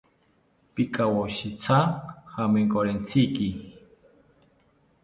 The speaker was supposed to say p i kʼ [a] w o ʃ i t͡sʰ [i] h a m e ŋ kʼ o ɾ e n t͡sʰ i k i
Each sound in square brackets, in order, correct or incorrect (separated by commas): correct, incorrect